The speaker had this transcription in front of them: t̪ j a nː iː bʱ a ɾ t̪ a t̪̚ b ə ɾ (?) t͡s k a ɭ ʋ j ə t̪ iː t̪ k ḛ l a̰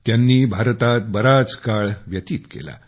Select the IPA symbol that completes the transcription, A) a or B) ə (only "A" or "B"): A